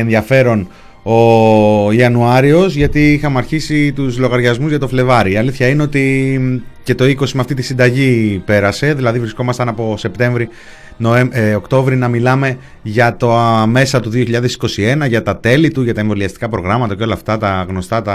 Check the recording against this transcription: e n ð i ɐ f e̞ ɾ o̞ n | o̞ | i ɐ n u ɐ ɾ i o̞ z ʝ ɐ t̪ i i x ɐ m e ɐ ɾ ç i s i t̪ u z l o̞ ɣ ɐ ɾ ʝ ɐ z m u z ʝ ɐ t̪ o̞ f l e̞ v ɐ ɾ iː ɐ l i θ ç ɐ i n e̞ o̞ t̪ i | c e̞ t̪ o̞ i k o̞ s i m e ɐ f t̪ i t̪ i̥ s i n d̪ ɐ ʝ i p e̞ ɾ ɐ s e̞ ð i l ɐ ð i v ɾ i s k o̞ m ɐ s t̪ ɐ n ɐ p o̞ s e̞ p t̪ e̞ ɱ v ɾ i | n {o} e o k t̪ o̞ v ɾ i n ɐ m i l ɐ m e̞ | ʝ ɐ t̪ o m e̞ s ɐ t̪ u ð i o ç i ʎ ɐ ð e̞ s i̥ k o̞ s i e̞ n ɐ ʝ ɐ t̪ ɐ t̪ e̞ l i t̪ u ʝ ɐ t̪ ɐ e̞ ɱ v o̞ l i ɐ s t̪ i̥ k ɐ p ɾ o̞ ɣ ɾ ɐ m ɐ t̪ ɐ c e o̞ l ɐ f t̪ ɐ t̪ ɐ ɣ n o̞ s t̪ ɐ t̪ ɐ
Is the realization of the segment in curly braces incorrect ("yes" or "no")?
no